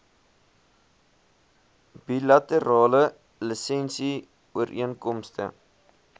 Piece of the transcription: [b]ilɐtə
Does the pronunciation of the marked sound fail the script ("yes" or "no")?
no